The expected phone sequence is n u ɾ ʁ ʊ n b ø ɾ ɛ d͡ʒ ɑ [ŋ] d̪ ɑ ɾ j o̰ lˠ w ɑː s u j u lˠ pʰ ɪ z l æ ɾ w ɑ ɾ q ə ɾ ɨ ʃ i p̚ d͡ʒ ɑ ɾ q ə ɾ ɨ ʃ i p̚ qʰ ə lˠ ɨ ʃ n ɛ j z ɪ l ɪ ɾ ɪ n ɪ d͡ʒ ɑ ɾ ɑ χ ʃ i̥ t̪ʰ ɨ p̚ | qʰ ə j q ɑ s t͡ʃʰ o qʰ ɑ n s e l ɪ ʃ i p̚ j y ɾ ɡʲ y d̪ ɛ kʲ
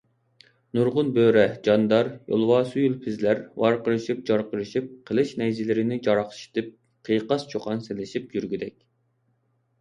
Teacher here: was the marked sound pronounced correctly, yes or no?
no